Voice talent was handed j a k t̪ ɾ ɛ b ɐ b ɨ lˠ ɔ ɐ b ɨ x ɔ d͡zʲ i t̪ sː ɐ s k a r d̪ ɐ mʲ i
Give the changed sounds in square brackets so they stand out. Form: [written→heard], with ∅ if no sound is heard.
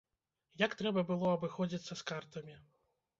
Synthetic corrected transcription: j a k t̪ ɾ ɛ b ɐ b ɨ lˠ ɔ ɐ b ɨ x ɔ d͡zʲ i t̪ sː ɐ s k a r [d̪→t̪] ɐ mʲ i